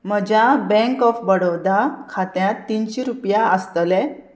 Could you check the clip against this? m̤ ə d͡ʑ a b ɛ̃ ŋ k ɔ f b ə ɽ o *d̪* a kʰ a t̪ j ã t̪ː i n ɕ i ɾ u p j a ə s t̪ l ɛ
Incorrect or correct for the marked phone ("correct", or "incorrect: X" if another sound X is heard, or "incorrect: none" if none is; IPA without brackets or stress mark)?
correct